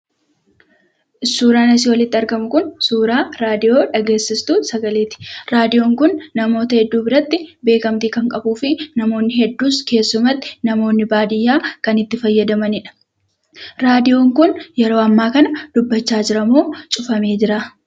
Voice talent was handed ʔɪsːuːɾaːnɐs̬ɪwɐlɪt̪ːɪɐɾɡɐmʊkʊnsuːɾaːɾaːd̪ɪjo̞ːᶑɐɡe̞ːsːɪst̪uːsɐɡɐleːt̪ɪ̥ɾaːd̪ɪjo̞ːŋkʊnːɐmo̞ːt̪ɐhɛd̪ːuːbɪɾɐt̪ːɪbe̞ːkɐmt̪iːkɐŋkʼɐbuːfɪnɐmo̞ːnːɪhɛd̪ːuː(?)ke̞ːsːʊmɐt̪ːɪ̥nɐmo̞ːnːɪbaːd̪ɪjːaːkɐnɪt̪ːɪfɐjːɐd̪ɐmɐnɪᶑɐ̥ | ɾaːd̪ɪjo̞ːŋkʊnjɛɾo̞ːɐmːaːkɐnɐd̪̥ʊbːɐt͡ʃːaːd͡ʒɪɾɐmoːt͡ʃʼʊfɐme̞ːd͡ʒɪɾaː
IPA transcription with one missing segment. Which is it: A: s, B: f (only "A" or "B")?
A